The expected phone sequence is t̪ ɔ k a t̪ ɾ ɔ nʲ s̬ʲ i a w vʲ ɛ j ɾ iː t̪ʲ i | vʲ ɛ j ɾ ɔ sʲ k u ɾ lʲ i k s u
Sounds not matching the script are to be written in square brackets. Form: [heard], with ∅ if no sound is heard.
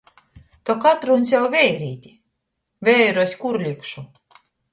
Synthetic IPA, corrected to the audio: t̪ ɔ k a t̪ ɾ [u] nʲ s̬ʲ [j] a w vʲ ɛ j ɾ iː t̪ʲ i | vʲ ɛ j ɾ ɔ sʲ k u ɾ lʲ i k [ʃ] u